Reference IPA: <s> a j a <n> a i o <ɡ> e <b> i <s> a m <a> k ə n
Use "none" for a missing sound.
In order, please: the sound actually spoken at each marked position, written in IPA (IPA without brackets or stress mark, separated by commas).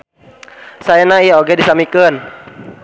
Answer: s, n, ɡ, d, s, i